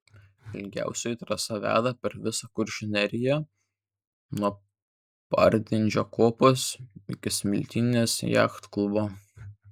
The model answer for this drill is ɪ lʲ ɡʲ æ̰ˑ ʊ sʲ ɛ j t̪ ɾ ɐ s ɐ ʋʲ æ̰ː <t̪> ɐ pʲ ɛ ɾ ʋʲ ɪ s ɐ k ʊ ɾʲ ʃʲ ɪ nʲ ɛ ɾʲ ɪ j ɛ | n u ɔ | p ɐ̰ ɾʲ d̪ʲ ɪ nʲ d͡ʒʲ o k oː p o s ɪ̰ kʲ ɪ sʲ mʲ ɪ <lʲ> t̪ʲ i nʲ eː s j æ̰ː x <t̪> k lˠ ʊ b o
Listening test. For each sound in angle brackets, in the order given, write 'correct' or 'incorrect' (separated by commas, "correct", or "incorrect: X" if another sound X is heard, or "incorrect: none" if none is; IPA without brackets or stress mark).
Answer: incorrect: d̪, correct, correct